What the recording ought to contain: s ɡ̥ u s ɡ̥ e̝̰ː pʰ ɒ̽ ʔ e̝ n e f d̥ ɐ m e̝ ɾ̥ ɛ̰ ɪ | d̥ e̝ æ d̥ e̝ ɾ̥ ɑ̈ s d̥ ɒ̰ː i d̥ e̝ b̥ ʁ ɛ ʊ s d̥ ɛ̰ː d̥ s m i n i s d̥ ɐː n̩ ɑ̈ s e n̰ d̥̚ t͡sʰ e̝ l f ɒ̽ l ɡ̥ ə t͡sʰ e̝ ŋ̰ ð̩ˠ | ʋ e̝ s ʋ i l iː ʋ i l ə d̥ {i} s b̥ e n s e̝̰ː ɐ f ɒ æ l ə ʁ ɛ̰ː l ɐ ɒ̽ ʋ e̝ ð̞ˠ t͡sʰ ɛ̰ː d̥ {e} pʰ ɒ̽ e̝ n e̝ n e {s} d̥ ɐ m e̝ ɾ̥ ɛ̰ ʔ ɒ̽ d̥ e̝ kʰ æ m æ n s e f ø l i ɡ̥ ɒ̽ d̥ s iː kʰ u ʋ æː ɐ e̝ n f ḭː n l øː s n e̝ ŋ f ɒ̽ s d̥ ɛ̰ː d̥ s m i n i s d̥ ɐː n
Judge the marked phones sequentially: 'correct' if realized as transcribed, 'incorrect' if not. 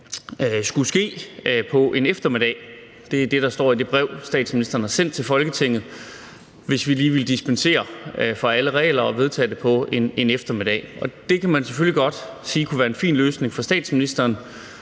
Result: correct, correct, incorrect

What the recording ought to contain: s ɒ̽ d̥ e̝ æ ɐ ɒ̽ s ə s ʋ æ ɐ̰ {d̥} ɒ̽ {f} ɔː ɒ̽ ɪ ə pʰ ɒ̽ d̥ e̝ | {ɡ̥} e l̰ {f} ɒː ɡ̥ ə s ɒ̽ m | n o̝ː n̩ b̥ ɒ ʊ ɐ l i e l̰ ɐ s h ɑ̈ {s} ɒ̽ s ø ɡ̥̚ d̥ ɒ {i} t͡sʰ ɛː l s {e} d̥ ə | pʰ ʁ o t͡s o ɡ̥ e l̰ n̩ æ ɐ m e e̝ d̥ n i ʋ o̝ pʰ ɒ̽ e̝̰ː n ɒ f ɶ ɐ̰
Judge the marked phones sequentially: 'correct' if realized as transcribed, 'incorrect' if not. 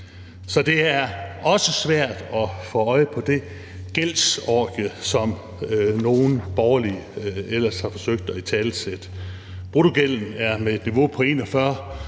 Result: correct, correct, correct, incorrect, incorrect, correct, correct

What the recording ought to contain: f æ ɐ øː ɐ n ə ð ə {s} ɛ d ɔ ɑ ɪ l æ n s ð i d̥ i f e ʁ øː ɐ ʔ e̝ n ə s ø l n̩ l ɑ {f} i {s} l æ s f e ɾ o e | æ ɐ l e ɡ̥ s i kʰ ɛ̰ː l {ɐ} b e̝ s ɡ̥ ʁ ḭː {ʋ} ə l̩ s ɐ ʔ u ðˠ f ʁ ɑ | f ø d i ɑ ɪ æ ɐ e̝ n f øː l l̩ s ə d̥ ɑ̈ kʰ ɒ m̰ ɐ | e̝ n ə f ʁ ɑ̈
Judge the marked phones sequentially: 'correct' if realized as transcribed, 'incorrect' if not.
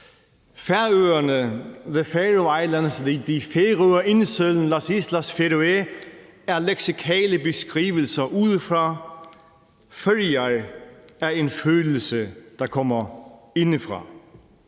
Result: incorrect, incorrect, correct, incorrect, correct

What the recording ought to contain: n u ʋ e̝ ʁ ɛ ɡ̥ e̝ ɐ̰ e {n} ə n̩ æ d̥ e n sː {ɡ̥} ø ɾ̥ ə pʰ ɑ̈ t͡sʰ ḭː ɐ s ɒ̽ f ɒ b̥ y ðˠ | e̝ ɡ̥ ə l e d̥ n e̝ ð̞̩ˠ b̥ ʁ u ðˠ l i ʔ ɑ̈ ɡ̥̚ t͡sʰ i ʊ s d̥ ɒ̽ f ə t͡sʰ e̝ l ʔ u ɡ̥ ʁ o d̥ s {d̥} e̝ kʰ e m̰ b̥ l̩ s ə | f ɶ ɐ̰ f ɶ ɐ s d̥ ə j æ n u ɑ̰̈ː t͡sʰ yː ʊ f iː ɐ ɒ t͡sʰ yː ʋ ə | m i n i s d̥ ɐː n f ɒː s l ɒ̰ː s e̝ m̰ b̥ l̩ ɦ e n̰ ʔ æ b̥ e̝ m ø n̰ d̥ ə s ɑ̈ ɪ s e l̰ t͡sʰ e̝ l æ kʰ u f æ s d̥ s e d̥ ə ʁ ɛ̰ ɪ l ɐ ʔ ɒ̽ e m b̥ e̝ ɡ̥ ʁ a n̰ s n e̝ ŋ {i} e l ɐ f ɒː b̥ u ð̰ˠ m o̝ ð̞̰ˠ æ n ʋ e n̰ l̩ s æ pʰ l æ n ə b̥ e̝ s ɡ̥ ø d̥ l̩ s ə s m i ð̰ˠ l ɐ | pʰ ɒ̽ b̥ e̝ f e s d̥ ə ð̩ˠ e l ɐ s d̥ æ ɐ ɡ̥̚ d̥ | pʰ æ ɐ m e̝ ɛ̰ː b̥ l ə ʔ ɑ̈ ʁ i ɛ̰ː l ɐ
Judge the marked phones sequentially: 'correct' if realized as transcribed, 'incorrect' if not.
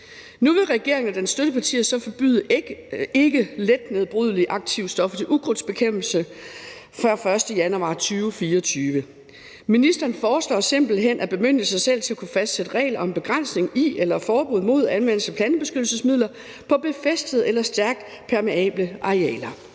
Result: incorrect, incorrect, incorrect, correct

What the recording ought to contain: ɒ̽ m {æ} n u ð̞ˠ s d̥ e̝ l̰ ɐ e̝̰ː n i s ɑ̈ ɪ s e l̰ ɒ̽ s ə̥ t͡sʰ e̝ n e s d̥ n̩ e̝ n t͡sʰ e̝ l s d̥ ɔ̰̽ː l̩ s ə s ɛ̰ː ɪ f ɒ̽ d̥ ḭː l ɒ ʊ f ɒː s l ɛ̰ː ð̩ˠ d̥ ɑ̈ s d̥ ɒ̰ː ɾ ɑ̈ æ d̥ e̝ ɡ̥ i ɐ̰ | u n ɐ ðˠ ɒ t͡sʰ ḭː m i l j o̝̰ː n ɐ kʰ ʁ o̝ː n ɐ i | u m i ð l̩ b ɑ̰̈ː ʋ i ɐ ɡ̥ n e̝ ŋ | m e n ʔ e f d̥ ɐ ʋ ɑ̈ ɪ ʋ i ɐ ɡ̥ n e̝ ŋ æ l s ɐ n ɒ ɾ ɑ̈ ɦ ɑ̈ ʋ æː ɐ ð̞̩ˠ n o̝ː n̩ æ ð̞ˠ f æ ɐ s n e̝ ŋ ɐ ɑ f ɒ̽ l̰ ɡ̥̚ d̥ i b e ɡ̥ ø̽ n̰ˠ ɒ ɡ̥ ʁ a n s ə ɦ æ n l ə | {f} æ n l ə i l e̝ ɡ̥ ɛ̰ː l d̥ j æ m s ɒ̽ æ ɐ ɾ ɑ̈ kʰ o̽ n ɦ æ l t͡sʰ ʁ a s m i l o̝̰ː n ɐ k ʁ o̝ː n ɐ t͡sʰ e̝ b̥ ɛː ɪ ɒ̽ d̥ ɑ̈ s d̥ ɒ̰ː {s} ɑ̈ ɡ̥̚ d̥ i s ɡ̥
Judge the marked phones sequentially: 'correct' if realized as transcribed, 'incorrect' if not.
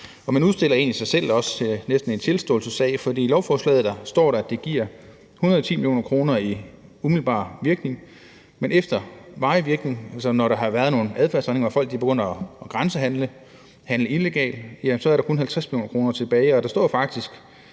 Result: correct, incorrect, incorrect

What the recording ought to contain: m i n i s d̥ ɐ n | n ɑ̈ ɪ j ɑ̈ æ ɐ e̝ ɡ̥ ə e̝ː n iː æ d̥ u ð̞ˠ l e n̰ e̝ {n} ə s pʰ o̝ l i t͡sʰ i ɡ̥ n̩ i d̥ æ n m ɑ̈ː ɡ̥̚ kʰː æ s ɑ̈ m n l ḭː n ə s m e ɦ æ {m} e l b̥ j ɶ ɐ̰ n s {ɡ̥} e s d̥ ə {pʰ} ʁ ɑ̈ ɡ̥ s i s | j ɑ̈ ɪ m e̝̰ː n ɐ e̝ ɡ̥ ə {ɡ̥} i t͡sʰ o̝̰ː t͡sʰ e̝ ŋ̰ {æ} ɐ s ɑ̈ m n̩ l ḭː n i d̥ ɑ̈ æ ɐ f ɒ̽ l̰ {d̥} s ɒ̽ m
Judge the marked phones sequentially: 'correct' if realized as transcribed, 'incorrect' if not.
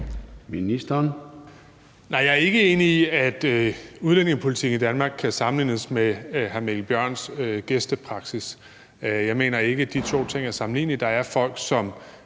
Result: incorrect, correct, correct, correct, incorrect, correct, incorrect

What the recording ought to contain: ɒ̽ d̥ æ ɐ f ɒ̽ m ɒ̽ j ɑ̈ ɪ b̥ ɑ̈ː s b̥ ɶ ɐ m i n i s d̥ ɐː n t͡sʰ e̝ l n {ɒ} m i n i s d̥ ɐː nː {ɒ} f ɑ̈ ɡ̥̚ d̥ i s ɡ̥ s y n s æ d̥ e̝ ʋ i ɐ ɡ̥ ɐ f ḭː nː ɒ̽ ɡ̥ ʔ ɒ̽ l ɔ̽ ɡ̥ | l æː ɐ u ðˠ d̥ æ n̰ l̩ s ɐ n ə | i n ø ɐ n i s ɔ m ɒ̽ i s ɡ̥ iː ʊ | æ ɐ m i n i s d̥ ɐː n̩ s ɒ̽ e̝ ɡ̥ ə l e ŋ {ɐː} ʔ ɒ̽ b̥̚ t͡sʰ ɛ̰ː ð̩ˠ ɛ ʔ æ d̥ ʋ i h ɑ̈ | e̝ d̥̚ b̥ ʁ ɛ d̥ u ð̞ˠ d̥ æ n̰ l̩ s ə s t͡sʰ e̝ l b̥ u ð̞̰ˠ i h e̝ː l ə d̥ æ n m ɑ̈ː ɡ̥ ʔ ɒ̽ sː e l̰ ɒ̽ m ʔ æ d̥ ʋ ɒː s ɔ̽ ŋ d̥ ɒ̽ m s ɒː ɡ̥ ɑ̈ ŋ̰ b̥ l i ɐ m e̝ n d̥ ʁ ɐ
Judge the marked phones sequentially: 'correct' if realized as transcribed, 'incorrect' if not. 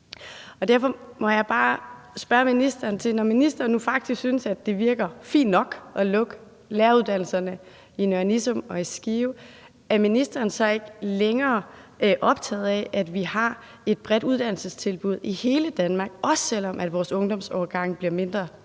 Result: correct, incorrect, correct

